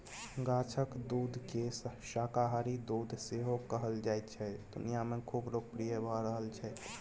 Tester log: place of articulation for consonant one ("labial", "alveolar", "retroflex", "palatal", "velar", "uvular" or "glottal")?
velar